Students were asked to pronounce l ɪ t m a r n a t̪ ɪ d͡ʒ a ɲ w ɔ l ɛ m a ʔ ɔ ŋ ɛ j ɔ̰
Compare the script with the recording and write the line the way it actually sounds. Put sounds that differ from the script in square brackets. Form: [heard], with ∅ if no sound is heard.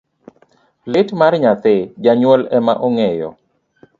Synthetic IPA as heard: l ɪ t m a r [ɲ] a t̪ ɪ d͡ʒ a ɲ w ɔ l ɛ m a ʔ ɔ ŋ ɛ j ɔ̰